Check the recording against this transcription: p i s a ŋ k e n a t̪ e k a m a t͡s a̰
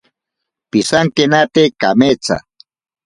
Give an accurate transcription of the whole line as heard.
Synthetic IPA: p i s a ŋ k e n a t̪ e k a m e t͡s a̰